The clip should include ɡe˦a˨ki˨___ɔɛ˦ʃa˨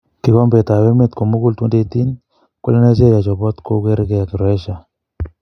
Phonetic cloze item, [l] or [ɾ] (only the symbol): ɾ